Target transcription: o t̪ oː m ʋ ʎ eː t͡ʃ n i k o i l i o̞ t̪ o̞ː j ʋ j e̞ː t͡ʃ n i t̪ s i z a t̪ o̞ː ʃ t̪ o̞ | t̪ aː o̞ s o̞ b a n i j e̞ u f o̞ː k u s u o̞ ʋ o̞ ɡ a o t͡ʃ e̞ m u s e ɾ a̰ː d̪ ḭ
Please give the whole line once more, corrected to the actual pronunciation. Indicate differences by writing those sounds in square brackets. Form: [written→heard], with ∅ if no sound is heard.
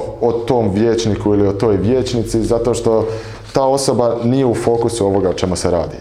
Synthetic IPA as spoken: o t̪ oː m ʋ [ʎ→j] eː t͡ʃ n i k [o→u] i l i o̞ t̪ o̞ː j ʋ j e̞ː t͡ʃ n i t̪ s i z a t̪ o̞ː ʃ t̪ o̞ | t̪ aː o̞ s o̞ b a n i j e̞ u f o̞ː k u s u o̞ ʋ o̞ ɡ a o t͡ʃ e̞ m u s e ɾ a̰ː d̪ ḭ